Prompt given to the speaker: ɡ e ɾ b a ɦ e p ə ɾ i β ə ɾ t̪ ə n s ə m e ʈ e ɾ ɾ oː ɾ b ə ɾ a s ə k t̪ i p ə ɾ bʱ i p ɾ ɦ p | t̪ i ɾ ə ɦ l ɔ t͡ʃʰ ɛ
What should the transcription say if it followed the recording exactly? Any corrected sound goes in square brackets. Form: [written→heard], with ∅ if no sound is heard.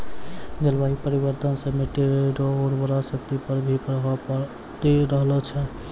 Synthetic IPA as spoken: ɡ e [ɾ→l] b a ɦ [e→i] p ə ɾ i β ə ɾ t̪ ə n s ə m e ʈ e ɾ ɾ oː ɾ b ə ɾ a s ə k t̪ i p ə ɾ bʱ i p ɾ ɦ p | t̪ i ɾ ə ɦ l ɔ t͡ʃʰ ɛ